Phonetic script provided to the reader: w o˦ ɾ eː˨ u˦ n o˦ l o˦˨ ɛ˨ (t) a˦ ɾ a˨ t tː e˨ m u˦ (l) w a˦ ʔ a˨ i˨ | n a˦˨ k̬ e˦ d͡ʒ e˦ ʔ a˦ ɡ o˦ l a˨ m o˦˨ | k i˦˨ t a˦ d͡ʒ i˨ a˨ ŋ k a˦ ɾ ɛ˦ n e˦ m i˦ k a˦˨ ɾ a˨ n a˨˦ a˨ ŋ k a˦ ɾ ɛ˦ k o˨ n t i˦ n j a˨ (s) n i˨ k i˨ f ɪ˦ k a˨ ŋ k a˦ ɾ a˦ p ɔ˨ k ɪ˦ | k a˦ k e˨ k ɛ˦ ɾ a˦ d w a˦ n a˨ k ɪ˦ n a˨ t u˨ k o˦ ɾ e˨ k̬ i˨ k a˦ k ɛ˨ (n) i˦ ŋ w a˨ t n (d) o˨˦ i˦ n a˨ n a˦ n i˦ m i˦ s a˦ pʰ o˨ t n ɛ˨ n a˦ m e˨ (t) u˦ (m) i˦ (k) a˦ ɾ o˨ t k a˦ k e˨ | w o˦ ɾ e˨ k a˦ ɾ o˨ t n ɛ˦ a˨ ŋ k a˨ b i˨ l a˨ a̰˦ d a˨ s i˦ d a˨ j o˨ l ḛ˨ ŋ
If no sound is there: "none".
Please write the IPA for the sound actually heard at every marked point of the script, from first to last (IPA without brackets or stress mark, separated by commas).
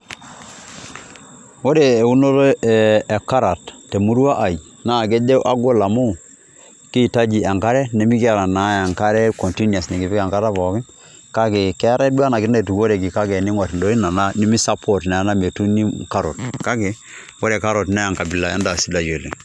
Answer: k, ɾ, s, n, d, t, n, k